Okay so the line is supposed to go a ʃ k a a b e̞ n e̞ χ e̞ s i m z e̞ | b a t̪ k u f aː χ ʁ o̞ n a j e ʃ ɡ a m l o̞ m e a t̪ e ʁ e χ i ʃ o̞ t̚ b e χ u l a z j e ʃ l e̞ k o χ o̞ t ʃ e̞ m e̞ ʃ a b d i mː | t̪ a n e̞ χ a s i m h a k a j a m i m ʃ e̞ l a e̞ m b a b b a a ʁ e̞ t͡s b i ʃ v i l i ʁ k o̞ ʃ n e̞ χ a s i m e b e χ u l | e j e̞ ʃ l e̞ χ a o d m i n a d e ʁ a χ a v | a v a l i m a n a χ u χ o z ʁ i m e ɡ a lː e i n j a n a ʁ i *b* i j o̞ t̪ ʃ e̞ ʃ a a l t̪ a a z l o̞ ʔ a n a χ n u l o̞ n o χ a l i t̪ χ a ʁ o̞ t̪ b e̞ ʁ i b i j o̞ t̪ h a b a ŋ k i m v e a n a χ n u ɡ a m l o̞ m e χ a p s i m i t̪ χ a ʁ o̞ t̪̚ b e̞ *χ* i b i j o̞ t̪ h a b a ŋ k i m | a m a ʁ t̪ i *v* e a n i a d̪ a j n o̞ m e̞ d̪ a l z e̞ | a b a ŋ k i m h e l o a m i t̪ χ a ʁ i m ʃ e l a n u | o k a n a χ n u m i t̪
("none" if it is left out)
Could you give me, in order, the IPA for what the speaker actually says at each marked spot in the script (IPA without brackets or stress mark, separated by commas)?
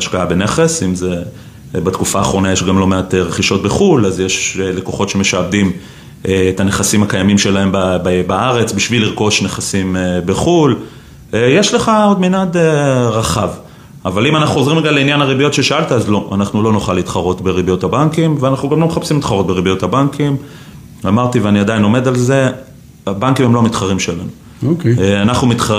b, ʁ, v